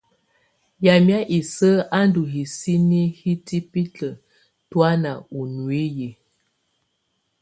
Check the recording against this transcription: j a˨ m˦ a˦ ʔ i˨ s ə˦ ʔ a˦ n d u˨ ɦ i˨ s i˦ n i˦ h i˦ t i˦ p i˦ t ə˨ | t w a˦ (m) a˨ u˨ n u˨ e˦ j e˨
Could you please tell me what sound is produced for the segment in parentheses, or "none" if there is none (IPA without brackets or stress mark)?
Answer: n